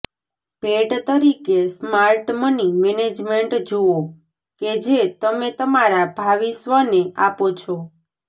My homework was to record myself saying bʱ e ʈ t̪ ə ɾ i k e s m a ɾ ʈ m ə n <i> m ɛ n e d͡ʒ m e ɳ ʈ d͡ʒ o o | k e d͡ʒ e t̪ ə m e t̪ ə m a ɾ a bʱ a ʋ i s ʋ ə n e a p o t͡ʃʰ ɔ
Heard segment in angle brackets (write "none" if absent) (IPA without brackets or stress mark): i